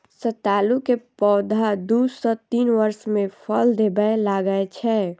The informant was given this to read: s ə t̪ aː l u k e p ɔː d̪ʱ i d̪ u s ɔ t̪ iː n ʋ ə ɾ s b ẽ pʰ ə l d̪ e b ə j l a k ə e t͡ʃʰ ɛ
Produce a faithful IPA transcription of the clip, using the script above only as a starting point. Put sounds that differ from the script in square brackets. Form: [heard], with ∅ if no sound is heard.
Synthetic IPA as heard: s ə t̪ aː l u k e p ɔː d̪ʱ [a] d̪ u s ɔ t̪ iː n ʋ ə ɾ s [m] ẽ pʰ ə l d̪ e b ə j l a [ɡ] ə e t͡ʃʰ ɛ

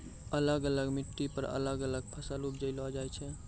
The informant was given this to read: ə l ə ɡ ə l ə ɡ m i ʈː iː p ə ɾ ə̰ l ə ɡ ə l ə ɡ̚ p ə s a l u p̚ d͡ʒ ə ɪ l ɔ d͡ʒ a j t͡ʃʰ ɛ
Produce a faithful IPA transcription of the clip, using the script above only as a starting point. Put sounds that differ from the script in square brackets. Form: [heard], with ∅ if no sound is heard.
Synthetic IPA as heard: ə l ə ɡ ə l ə ɡ m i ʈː [i] p ə ɾ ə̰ l ə ɡ ə l ə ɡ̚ [pʰ] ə s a l u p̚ d͡ʒ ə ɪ l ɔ d͡ʒ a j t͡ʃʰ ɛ

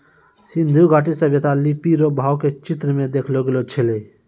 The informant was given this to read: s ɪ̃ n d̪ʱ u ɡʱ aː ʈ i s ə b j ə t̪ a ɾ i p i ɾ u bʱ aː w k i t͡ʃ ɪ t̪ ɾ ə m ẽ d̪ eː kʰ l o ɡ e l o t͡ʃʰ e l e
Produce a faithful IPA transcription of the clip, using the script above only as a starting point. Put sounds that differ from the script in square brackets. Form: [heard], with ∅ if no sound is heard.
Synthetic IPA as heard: s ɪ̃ n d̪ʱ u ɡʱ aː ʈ i s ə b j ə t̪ a [l] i p i ɾ [o] bʱ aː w k [e] t͡ʃ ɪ t̪ ɾ ə m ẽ d̪ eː kʰ l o ɡ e l o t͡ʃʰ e l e

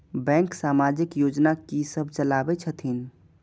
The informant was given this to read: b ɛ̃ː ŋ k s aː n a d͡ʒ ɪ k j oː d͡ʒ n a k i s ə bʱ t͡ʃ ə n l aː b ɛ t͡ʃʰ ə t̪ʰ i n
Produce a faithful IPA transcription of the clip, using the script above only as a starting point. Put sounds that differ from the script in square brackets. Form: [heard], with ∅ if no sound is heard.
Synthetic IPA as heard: b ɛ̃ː ŋ k s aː [m] a d͡ʒ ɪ k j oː d͡ʒ n a k i s ə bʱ t͡ʃ ə [∅] l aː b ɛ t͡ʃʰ ə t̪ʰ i n

